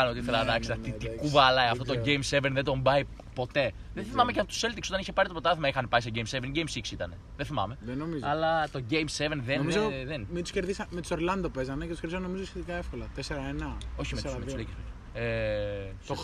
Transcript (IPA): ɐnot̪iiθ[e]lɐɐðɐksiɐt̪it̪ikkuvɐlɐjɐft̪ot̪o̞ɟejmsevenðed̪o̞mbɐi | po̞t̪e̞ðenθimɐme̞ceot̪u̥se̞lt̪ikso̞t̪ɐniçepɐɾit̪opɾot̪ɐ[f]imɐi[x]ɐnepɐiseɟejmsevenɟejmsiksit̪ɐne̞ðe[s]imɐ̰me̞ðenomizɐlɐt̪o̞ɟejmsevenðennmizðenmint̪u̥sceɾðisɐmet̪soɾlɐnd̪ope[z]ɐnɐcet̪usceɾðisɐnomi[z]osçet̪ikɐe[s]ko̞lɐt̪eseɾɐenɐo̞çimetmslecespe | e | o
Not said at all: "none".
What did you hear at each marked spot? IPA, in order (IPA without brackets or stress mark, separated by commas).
e, θ, x, θ, z, z, f